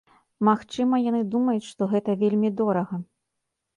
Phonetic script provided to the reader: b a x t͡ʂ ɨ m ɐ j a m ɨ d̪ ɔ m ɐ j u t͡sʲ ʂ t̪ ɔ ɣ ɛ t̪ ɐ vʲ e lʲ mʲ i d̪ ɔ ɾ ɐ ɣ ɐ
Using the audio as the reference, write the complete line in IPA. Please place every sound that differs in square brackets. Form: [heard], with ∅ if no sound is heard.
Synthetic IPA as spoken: [m] a x t͡ʂ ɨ m ɐ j a [n] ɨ d̪ [u] m ɐ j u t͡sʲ ʂ t̪ ɔ ɣ ɛ t̪ ɐ vʲ e lʲ mʲ i d̪ ɔ ɾ ɐ ɣ ɐ